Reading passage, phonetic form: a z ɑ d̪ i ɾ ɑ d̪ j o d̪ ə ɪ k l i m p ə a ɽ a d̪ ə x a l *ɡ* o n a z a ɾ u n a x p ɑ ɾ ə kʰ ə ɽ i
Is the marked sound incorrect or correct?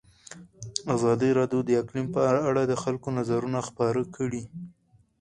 incorrect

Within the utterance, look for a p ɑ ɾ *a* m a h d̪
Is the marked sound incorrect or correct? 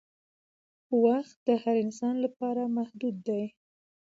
correct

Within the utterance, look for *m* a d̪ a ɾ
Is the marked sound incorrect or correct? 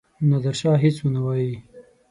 incorrect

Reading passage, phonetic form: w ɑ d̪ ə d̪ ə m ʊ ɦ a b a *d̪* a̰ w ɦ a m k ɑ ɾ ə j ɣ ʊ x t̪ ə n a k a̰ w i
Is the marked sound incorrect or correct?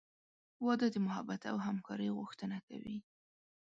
incorrect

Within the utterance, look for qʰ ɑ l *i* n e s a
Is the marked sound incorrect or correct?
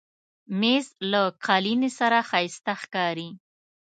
correct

